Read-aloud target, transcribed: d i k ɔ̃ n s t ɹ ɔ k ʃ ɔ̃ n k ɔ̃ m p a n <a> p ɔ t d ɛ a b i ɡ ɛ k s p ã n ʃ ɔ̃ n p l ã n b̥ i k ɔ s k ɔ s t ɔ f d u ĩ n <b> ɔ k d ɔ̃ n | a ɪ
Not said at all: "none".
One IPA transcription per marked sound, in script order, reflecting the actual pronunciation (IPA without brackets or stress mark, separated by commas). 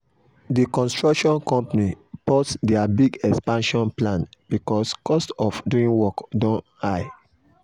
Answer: i, w